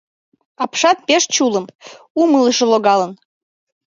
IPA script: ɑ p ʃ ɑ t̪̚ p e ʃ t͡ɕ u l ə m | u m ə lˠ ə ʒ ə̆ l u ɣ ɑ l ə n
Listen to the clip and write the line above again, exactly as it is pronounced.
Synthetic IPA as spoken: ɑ p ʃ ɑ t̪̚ p e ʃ t͡ɕ u l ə m | u m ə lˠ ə ʃ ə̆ l o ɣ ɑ l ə n